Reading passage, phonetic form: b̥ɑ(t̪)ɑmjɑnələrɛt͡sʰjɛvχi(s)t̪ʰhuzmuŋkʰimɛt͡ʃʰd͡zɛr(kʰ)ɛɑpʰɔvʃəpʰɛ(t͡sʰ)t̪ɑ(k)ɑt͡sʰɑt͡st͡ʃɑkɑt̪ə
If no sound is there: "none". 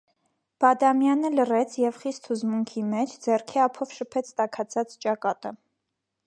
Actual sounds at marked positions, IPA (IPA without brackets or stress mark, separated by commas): d̪, s, kʰ, t͡sʰ, kʰ